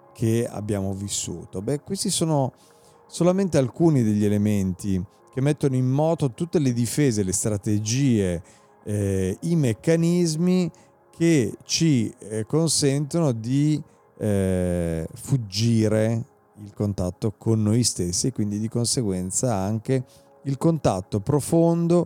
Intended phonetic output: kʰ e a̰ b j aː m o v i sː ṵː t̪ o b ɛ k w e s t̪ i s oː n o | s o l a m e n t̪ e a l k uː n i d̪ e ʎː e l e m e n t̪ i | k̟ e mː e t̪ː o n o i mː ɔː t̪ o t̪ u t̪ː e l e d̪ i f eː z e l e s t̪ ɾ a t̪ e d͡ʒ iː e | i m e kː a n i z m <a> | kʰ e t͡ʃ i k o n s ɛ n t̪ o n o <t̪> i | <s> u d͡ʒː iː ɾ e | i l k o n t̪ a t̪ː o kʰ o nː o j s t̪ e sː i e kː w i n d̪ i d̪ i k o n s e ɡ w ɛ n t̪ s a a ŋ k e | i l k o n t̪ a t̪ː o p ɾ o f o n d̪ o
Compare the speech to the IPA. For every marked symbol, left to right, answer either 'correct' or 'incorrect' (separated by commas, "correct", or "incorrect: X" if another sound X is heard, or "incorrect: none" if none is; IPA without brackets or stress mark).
incorrect: i, incorrect: d̪, incorrect: f